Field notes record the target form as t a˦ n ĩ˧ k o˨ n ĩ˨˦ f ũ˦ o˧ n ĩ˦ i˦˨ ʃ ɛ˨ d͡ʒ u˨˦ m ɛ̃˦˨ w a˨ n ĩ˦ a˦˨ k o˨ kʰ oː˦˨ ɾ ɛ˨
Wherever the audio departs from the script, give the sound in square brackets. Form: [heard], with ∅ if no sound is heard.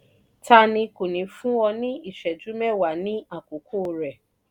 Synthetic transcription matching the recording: t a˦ n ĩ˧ k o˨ n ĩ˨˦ f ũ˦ [ɔ˧] n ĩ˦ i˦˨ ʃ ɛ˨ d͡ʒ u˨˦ m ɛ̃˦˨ w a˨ n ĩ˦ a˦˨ k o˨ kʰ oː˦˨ ɾ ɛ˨